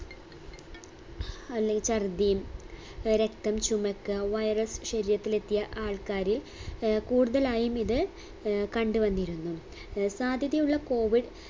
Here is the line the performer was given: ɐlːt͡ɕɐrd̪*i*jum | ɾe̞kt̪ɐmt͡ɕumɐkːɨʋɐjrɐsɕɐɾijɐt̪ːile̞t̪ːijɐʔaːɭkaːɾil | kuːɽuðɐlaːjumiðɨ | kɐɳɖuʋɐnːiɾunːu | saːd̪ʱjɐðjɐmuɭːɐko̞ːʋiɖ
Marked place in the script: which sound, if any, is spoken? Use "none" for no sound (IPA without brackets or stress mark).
i